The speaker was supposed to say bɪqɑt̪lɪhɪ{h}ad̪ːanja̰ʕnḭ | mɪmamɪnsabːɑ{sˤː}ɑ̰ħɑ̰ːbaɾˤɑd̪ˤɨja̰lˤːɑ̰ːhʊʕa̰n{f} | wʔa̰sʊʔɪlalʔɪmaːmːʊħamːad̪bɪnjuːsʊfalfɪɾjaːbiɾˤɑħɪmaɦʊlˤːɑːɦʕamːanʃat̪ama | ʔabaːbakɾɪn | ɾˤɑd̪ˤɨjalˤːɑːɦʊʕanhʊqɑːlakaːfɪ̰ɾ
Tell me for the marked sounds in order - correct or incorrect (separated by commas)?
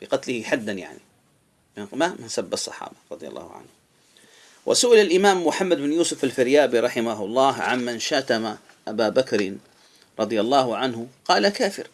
incorrect, correct, incorrect